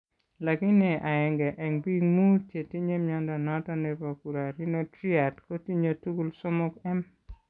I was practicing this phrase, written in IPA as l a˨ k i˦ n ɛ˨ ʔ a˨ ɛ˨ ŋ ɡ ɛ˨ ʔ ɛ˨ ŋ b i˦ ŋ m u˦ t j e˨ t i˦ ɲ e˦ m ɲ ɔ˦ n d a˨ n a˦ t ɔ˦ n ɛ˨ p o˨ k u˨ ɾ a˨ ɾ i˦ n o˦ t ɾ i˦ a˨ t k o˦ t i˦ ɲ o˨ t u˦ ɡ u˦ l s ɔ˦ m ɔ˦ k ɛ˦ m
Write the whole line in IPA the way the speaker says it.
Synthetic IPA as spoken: l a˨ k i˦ n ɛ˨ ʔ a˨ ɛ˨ ŋ ɡ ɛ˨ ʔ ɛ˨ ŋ b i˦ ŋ m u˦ t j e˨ t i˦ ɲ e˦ m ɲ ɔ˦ n d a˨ n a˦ t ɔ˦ n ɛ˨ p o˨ k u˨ ɾ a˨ ɾ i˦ n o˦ t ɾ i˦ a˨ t k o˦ t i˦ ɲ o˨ t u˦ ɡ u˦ l s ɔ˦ m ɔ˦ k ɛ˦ m